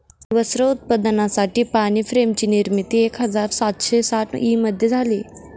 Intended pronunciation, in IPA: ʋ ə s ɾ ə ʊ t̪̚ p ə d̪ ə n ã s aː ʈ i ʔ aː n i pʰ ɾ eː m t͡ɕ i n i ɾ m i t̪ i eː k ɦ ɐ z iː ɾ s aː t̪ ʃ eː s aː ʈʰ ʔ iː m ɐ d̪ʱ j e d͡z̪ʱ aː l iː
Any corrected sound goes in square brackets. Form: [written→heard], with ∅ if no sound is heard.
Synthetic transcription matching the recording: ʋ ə s ɾ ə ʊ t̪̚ p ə d̪ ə n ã s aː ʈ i [ʔ→p] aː n i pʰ ɾ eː m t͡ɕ i n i ɾ m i t̪ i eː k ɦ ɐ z [iː→aː] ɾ s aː t̪ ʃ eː s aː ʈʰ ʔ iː m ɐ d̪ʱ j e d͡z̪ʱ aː l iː